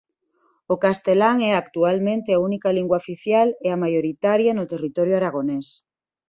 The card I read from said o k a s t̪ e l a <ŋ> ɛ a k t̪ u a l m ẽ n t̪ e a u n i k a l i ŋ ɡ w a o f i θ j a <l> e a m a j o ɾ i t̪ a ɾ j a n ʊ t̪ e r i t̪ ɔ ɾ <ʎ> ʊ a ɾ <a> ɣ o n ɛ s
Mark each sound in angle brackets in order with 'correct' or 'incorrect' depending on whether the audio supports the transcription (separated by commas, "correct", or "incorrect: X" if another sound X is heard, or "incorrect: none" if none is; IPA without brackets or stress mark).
correct, correct, incorrect: j, correct